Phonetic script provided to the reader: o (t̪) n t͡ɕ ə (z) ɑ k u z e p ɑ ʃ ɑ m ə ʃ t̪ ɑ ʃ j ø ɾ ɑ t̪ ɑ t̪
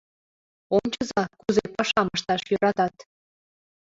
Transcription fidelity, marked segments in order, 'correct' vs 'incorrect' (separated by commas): incorrect, correct